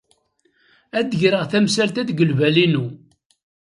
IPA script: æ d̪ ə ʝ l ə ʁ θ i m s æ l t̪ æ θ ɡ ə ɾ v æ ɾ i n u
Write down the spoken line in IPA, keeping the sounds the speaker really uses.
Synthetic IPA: æ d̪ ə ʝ ɾ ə ʁ θ æ m s æ l t̪ æ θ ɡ ə l v æ l i n u